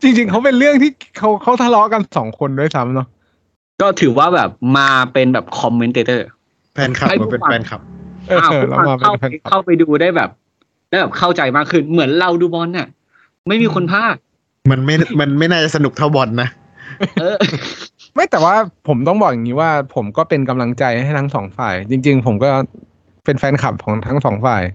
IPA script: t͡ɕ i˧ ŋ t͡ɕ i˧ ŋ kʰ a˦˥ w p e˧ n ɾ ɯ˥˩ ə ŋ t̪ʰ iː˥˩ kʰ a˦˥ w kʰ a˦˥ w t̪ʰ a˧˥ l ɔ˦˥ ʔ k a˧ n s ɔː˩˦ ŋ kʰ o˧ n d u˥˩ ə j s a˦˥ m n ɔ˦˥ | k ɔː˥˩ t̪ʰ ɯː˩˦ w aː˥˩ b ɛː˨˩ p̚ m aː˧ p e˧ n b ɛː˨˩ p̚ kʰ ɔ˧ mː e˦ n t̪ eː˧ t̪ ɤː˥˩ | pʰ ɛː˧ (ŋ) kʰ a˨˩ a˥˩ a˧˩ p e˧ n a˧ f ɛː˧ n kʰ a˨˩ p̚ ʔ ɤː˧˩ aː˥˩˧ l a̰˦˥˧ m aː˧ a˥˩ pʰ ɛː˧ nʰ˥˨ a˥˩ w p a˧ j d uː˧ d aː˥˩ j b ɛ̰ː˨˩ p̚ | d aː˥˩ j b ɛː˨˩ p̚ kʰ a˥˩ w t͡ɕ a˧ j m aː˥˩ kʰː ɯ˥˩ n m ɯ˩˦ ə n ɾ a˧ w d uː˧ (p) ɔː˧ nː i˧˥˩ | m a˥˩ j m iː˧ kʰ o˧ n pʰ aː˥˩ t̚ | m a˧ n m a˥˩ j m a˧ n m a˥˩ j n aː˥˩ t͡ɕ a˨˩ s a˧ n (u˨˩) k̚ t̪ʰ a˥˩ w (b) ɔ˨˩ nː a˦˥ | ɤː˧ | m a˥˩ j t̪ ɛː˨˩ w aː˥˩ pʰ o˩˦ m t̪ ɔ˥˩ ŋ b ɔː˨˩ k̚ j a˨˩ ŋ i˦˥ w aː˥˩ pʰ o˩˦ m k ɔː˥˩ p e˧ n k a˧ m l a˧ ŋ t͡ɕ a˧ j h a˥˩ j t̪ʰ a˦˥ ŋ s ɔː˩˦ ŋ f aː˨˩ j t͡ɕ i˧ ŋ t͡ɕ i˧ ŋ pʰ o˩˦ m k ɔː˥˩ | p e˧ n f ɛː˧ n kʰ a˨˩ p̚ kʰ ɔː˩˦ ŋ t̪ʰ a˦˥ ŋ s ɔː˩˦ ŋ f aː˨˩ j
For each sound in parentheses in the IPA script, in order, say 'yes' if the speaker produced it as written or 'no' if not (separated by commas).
no, no, yes, yes